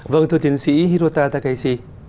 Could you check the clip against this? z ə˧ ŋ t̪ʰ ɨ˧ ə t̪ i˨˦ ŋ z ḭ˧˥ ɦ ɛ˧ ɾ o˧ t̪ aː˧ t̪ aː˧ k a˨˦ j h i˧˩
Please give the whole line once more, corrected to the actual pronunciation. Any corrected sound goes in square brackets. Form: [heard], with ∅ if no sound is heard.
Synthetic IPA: [v] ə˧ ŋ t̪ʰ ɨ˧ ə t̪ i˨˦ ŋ [s] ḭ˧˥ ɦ [i˧] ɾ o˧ t̪ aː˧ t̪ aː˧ k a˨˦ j [s] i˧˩